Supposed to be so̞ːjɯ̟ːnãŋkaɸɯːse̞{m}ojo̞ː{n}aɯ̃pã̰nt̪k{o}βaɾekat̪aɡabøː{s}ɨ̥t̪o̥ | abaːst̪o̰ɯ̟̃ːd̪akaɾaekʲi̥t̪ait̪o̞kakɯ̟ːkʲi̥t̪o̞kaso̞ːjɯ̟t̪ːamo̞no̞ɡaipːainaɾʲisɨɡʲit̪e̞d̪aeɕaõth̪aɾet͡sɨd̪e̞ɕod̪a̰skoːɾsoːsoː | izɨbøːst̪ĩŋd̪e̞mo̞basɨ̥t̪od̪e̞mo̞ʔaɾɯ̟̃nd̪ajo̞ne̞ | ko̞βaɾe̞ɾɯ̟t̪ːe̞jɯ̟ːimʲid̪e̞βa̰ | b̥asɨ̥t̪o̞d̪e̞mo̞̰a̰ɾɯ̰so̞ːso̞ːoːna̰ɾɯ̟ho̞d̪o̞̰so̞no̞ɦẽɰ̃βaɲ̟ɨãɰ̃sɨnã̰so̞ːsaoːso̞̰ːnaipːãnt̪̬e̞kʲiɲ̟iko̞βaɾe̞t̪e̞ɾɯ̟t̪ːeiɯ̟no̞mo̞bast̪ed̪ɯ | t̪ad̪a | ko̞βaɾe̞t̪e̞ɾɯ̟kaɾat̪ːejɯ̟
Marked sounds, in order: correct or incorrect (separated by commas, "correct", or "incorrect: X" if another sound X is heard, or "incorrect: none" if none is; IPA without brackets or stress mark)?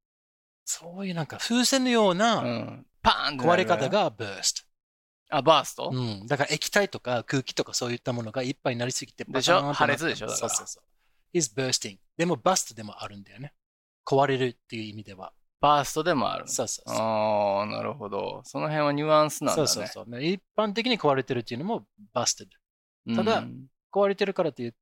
incorrect: n, correct, correct, correct